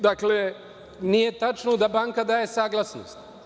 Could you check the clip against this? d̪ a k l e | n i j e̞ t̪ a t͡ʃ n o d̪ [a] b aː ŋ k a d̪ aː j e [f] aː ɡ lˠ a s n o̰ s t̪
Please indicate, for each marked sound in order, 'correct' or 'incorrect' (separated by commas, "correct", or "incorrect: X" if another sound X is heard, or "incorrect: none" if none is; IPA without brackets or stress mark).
correct, incorrect: s